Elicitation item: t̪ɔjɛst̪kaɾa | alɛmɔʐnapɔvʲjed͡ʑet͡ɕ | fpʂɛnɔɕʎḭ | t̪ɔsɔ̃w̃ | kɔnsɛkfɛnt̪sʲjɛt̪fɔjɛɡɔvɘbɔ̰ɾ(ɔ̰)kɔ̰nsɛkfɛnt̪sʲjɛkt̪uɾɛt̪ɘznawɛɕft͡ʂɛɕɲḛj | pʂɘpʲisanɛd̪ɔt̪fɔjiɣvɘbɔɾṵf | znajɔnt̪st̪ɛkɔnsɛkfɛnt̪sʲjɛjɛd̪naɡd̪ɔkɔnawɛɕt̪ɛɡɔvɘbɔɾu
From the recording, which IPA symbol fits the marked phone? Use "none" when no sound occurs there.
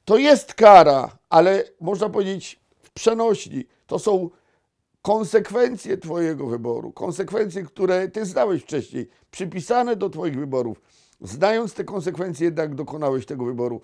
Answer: ṵ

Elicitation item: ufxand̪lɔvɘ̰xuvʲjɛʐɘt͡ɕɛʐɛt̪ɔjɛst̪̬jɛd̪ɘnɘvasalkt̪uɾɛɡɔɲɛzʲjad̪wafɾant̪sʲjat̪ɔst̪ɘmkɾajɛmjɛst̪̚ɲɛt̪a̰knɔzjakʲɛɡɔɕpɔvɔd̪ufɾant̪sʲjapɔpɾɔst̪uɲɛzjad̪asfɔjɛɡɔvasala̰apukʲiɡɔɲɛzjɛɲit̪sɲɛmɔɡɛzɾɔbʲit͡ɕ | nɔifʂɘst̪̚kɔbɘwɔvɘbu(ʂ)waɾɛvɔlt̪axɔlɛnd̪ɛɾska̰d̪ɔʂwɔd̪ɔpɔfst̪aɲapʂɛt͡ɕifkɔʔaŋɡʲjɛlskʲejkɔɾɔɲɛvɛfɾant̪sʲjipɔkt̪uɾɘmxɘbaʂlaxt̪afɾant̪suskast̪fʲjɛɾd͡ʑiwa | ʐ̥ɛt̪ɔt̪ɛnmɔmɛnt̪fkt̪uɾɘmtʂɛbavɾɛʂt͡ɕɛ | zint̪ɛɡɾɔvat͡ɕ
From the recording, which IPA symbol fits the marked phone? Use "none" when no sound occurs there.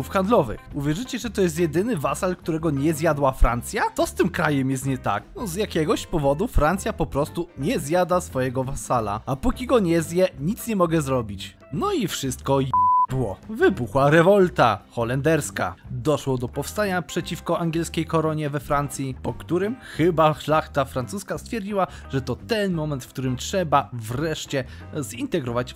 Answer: x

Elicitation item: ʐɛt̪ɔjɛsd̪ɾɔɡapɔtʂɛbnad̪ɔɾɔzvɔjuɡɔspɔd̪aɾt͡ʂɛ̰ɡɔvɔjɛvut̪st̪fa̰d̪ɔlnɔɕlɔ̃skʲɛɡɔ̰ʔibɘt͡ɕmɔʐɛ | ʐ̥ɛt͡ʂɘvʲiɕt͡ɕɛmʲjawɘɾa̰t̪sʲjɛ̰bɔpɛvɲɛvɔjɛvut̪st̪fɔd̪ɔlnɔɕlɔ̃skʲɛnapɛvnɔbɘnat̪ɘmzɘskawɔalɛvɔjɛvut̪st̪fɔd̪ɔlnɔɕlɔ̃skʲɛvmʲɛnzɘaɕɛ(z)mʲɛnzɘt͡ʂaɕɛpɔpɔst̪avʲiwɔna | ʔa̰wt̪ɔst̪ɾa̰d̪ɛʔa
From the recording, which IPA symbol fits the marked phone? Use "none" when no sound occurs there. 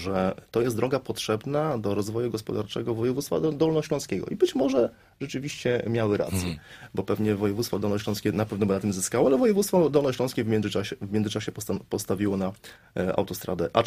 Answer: v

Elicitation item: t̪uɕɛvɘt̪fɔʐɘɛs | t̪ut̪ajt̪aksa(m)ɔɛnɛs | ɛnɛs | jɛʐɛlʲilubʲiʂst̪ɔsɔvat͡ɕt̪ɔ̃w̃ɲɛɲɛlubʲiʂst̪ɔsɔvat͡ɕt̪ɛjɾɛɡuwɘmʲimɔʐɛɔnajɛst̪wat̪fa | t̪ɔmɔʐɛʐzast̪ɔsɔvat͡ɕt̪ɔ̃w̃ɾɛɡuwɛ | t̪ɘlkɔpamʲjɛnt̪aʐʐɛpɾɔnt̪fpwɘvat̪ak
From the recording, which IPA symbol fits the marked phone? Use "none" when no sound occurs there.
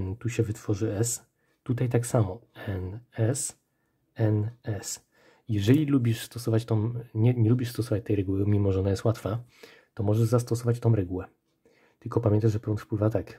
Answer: m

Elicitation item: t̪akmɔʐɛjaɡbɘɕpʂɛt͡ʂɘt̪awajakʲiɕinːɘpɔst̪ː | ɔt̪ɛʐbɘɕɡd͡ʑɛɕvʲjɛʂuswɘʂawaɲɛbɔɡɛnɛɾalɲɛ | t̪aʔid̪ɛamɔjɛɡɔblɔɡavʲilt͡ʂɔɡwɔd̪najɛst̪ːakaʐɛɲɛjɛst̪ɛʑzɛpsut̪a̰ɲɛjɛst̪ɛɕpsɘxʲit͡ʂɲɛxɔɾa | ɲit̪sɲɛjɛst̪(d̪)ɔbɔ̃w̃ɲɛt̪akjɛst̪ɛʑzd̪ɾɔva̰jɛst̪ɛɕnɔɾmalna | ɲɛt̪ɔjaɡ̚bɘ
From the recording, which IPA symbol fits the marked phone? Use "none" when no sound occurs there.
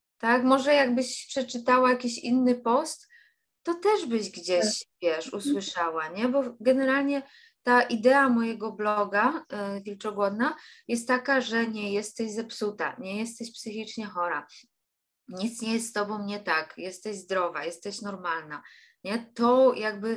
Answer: t̪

